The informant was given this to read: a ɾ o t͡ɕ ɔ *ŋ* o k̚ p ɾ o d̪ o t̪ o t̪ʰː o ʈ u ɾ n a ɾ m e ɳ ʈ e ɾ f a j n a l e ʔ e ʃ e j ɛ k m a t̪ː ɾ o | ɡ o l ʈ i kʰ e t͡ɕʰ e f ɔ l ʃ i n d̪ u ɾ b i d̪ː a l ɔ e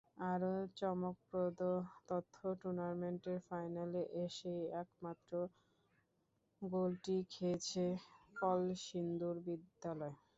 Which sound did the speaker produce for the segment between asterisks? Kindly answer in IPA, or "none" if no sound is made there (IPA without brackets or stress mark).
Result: m